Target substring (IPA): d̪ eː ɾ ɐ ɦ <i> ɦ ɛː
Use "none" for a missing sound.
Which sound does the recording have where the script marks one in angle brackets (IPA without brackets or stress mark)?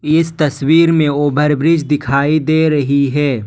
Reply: i